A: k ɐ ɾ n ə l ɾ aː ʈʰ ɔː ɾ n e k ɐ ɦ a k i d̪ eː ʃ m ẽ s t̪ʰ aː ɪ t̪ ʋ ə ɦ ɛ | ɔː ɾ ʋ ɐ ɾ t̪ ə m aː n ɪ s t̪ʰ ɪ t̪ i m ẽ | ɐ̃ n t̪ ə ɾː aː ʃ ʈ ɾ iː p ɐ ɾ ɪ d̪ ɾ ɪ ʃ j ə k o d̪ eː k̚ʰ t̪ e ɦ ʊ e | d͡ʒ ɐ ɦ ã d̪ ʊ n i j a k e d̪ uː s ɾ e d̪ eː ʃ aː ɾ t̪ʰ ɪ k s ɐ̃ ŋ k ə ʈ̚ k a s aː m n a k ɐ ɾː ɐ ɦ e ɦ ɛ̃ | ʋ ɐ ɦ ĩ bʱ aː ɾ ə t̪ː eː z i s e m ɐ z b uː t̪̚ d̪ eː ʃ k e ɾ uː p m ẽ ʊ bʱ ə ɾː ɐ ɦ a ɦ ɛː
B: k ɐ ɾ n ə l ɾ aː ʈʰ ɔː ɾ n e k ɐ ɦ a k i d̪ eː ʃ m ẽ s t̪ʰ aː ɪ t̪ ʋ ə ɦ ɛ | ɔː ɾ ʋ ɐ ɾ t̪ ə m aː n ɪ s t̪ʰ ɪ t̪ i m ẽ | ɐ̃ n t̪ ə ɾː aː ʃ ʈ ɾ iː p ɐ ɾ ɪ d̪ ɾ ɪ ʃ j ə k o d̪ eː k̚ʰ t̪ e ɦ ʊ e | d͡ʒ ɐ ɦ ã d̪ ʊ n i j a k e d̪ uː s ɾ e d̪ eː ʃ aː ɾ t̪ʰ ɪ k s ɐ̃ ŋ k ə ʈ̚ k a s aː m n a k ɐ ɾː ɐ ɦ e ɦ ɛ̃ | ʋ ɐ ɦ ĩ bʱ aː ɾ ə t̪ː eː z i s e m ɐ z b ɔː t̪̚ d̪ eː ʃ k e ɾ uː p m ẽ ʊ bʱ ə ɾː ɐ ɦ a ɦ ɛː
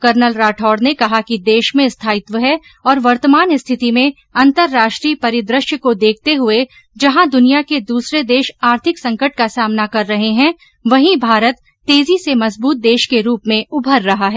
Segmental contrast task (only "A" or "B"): A